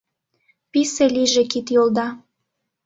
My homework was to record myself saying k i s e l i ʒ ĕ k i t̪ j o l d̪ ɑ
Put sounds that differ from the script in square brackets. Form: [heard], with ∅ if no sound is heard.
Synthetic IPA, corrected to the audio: [p] i s e l i ʒ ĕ k i t̪ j o l d̪ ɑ